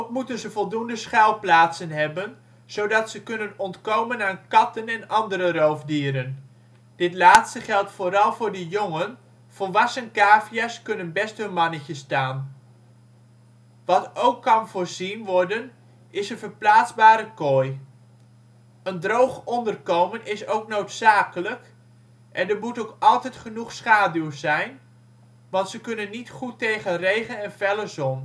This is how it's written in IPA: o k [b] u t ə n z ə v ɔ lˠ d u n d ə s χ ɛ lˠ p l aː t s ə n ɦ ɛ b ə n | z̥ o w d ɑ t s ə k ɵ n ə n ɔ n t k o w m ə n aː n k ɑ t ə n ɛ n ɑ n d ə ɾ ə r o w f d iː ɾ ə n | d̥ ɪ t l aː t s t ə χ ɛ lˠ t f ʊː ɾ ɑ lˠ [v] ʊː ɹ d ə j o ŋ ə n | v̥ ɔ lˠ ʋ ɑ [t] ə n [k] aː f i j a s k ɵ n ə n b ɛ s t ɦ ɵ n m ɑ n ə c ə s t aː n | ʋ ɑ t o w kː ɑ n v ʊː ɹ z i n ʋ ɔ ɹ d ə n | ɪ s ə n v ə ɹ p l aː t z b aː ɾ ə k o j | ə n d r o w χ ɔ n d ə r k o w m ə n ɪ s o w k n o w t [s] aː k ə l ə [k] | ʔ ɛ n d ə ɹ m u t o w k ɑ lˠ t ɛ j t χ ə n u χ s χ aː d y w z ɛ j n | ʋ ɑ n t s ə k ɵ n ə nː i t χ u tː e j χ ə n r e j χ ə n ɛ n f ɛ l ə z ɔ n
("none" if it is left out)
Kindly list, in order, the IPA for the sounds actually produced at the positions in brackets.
m, v, s, k, s, k

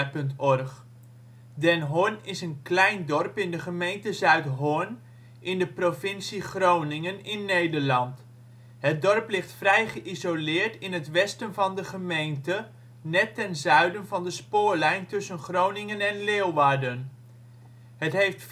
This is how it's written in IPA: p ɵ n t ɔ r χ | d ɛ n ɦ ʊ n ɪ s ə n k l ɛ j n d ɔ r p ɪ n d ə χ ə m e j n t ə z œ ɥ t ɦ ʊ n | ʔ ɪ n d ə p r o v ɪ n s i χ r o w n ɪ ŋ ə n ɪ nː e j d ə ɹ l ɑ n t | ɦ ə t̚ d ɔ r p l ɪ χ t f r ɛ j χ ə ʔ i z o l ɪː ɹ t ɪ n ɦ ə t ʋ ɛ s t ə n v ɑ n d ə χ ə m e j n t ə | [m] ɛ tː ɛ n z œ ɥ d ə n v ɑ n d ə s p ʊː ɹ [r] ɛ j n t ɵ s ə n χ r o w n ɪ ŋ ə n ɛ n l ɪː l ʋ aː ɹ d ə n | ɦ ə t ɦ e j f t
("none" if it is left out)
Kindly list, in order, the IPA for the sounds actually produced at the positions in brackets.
n, l

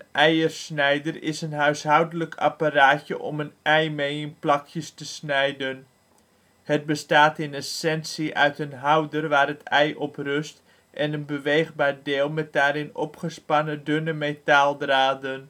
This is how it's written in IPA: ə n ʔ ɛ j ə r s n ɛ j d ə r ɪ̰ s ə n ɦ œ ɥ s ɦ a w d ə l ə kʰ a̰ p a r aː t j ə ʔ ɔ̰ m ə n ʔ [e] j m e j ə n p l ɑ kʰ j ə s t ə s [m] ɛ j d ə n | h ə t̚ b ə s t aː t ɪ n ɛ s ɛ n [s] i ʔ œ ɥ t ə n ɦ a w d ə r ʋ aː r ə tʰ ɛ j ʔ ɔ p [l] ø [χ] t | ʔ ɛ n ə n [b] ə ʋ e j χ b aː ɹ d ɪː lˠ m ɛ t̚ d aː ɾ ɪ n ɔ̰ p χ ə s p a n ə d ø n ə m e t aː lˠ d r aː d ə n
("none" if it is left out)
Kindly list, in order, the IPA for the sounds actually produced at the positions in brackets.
ɛ, n, s, r, s, b

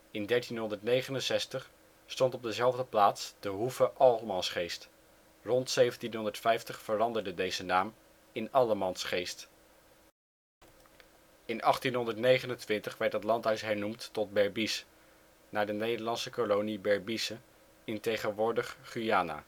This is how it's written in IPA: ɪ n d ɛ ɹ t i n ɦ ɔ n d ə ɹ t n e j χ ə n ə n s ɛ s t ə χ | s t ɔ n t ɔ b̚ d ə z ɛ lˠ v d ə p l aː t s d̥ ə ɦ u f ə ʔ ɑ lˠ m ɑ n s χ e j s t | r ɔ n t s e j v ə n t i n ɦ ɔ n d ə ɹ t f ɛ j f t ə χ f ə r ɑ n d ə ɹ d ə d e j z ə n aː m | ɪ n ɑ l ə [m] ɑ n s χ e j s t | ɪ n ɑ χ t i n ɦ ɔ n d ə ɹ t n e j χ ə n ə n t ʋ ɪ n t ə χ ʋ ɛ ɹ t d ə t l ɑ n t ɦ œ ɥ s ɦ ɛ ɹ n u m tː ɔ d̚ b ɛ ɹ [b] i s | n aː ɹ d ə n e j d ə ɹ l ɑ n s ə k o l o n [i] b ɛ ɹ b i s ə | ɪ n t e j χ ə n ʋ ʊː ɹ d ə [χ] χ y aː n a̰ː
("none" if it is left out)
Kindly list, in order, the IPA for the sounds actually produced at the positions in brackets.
m, b, i, χ

